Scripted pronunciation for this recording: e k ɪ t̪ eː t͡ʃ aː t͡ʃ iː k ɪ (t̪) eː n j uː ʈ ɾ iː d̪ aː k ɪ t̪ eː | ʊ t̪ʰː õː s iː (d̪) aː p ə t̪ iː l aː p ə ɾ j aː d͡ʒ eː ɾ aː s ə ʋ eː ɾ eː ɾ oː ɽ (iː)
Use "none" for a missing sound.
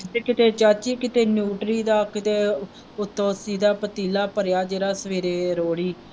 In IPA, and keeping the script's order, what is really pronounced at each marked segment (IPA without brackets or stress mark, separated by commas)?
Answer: t̪, d̪, iː